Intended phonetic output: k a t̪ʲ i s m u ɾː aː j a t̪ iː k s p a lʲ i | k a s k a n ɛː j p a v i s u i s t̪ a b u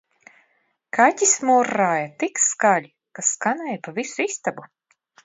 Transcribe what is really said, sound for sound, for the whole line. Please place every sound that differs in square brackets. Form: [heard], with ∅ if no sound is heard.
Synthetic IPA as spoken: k a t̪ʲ i s m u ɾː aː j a t̪ [i] k s [k] a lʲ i | k a s k a n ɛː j p a v i s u i s t̪ a b u